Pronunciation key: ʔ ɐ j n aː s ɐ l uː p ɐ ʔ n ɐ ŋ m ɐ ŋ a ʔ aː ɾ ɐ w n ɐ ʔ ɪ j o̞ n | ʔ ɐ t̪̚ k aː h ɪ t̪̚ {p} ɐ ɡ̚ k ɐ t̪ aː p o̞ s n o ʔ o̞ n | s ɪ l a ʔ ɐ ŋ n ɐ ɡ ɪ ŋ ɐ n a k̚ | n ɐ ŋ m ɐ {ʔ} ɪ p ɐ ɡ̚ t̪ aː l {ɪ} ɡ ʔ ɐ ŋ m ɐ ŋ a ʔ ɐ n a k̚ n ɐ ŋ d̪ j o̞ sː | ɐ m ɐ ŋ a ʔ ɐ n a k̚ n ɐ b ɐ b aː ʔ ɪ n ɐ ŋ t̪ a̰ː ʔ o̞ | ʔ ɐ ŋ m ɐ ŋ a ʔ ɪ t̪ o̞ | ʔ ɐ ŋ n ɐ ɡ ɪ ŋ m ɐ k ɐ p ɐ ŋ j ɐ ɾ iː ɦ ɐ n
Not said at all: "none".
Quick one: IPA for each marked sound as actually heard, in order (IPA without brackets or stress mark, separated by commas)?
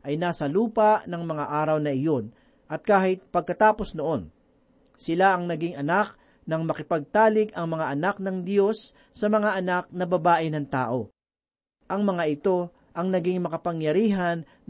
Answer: p, k, ɪ